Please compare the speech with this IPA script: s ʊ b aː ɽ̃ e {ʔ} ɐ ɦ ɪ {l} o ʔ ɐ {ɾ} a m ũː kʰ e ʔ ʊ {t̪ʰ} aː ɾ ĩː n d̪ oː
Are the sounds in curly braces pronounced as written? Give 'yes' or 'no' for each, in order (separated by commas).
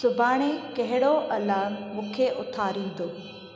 no, no, no, yes